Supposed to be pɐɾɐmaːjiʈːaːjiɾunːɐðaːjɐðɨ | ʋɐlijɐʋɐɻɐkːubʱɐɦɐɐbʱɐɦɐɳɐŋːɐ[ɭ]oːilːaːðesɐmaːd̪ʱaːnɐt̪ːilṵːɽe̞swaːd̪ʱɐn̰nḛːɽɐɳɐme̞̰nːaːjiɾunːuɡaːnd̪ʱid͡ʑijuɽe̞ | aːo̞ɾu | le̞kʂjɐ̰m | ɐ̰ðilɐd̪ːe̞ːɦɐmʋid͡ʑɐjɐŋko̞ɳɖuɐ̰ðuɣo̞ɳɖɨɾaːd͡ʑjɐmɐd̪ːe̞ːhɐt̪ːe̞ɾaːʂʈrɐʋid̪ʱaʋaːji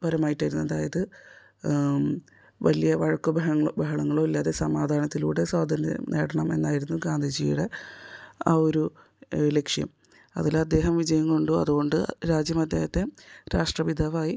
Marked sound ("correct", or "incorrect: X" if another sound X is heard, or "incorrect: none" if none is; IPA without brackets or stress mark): correct